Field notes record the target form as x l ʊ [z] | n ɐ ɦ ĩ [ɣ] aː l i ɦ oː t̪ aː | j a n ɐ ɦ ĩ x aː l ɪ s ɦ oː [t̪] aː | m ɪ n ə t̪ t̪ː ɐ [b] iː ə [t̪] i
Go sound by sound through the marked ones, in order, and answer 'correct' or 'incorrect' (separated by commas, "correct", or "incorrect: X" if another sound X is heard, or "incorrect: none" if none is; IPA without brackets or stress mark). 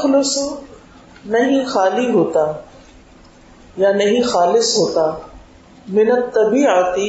incorrect: s, incorrect: x, correct, correct, correct